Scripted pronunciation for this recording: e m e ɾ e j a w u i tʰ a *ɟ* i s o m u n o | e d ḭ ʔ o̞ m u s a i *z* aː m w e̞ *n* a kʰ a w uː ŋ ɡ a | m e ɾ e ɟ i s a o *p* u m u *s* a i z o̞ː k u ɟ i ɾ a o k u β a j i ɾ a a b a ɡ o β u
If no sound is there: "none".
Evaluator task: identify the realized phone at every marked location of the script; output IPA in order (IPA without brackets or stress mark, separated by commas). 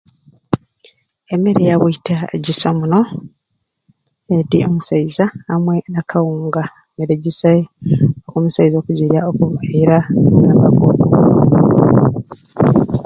ɟ, z, n, k, s